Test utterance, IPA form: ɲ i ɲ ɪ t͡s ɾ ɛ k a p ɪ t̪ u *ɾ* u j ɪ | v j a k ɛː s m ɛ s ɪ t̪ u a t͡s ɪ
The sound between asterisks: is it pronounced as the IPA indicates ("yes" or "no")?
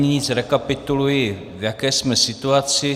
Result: no